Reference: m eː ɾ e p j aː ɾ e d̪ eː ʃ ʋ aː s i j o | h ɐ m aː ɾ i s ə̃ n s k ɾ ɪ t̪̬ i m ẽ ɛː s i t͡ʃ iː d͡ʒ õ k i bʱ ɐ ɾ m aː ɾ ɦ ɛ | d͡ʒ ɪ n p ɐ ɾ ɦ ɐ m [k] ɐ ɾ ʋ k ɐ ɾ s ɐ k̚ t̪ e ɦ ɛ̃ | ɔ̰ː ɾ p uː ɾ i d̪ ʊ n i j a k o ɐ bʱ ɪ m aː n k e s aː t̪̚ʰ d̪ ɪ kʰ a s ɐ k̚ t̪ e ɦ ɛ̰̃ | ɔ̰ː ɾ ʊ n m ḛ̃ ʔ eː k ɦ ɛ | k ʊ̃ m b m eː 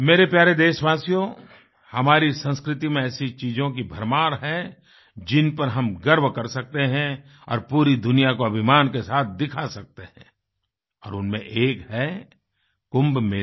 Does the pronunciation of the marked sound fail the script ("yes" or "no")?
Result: yes